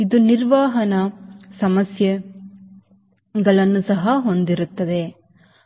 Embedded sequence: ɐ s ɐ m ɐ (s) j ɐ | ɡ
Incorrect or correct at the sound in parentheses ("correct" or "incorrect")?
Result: correct